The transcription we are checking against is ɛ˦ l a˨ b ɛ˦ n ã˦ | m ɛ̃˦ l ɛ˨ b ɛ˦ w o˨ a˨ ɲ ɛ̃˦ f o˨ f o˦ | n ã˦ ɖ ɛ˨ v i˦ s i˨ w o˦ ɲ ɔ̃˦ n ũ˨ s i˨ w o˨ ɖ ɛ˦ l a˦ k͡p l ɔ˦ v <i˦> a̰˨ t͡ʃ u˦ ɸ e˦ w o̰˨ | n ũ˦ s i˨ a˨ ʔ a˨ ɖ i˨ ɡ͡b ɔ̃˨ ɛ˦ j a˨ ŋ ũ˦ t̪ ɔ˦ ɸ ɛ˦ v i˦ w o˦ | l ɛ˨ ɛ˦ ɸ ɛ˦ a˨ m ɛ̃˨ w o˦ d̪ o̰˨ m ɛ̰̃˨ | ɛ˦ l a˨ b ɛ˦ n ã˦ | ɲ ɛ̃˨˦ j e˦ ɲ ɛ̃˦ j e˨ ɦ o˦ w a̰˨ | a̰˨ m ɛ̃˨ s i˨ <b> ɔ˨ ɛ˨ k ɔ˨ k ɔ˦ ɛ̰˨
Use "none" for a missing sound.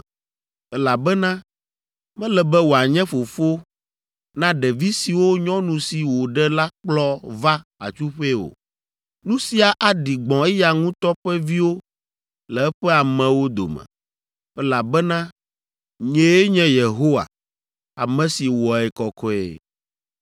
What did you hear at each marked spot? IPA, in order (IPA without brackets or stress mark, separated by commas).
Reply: a˦, w